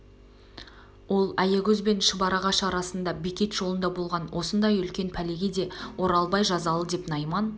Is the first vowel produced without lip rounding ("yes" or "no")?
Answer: no